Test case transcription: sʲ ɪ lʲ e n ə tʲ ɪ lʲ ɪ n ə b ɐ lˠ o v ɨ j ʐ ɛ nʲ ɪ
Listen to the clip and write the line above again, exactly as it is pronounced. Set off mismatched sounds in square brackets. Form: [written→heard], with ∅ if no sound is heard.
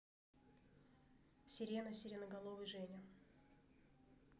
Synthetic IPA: sʲ ɪ [lʲ→ɾʲ] e n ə [tʲ→sʲ] ɪ [lʲ→ɾʲ] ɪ n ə [b→ɡ] ɐ lˠ o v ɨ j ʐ ɛ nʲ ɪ